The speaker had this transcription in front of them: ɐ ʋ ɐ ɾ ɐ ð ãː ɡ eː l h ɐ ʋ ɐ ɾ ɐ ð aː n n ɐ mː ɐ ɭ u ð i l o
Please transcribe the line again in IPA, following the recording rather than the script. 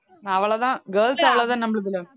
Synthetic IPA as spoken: ɐ ʋ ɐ ɭ ɐ ð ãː ɡ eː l s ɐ ʋ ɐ ɭ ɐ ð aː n n ɐ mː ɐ ɭ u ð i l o

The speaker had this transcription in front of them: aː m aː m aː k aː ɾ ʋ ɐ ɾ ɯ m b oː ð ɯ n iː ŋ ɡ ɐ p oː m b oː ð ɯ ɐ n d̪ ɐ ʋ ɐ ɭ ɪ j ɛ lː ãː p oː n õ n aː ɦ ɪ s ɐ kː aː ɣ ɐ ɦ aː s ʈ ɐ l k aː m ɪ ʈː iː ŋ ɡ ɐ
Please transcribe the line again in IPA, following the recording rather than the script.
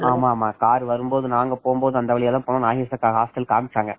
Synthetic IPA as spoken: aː m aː m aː k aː ɾ ʋ ɐ ɾ ɯ m b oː ð ɯ n aː ŋ ɡ ɐ p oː m b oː ð ɯ ɐ n d̪ ɐ ʋ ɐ ɭ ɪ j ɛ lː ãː p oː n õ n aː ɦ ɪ s ɐ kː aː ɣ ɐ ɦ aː s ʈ ɐ l k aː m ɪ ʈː aː ŋ ɡ ɐ

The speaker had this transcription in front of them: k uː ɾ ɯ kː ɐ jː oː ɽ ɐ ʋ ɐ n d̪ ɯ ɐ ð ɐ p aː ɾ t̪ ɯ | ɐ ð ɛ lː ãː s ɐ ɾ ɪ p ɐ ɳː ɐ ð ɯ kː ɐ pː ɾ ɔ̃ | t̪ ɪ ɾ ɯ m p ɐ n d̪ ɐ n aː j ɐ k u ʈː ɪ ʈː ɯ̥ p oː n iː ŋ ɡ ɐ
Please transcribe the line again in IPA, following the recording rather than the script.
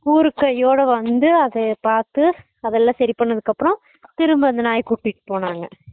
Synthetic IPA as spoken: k uː ɾ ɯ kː ɐ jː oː ɽ ɐ ʋ ɐ n d̪ ɯ ɐ ð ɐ p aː ɾ t̪ ɯ | ɐ ð ɛ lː ãː s ɐ ɾ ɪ p ɐ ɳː ɐ ð ɯ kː ɐ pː ɾ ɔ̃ | t̪ ɪ ɾ ɯ m b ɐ n d̪ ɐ n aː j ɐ k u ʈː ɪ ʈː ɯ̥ p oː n aː ŋ ɡ ɐ

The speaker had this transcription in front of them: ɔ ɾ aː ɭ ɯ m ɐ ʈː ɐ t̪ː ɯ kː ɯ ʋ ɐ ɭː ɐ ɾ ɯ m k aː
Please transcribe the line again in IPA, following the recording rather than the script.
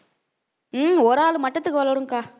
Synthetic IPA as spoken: ɔ ɾ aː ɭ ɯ m ɐ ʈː ɐ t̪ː ɯ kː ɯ ʋ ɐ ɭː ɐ ɾ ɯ ŋ k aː

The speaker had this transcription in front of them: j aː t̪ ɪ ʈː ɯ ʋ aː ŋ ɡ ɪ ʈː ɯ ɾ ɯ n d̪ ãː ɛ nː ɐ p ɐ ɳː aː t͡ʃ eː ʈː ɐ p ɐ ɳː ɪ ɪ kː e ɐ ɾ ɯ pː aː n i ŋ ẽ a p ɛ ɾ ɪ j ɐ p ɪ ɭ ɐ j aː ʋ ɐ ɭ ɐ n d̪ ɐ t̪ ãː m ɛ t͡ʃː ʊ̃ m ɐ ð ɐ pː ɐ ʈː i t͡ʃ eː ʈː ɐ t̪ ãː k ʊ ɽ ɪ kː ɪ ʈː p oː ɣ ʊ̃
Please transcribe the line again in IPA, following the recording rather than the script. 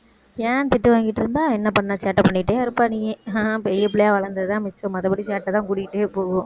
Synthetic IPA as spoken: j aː t̪ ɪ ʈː ɯ ʋ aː ŋ ɡ ɪ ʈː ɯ ɾ ɯ n d̪ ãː ɛ nː ɐ p ɐ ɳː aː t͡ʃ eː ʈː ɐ p ɐ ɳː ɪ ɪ ʈː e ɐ ɾ ɯ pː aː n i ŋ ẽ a p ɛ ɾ ɪ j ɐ p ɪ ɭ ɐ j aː ʋ ɐ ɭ ɐ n d̪ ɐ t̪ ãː m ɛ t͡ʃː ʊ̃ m ɐ ð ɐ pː ɐ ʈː i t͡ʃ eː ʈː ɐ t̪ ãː k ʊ ɽ ɪ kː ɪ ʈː p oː ɣ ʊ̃

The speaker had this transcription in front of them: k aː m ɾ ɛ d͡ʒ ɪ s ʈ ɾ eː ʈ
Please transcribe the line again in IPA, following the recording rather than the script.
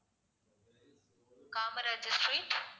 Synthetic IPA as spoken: k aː m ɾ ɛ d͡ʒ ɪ s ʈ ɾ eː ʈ

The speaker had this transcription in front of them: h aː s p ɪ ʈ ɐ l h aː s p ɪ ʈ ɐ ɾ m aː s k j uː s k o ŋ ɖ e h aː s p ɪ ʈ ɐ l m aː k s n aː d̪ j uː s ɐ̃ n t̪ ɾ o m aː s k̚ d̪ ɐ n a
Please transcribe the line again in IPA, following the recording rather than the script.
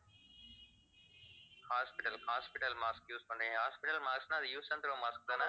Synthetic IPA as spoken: h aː s p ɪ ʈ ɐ l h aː s p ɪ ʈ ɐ l m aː s k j uː s k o ɳ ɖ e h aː s p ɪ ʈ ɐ l m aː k s n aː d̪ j uː s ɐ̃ n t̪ ɾ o m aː s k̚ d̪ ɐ n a

